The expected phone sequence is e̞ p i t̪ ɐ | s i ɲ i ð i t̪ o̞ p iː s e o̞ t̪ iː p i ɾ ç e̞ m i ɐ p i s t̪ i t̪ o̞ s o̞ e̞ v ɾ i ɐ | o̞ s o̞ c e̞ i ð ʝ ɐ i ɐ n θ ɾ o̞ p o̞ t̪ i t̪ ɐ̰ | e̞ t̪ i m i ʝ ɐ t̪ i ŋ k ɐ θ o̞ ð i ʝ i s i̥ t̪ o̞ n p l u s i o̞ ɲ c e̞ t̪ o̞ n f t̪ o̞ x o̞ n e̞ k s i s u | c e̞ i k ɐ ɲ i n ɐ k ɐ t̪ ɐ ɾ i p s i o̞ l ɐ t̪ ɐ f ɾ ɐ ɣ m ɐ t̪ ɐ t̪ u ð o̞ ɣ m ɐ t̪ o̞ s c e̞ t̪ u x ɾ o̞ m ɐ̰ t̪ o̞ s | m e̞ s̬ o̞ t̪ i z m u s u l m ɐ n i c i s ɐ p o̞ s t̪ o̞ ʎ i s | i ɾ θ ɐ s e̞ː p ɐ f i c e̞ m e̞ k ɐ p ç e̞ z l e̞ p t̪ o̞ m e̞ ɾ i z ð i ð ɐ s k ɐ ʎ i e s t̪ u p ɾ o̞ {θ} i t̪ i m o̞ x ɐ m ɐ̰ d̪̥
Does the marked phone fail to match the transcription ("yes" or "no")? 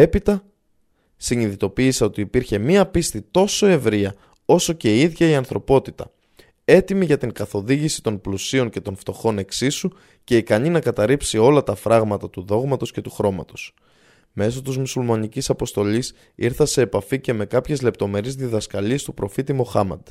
yes